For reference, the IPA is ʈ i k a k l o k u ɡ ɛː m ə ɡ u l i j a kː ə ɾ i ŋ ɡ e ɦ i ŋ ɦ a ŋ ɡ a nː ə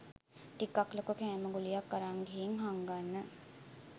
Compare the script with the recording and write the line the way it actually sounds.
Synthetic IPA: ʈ i k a k l o k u k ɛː m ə ɡ u l i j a kː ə ɾ a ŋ ɡ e ɦ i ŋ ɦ a ŋ ɡ a nː ə